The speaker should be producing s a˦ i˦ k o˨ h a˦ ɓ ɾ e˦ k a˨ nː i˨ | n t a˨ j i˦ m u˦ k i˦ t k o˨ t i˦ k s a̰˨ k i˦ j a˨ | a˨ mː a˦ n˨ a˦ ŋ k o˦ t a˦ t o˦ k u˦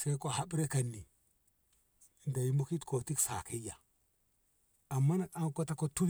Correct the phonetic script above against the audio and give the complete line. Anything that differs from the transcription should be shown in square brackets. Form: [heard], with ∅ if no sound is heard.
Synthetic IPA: s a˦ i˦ k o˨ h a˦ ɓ ɾ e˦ k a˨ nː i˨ | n [d] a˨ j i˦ m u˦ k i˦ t k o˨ t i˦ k s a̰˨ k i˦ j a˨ | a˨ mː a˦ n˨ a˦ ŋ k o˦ t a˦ [k] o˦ [t] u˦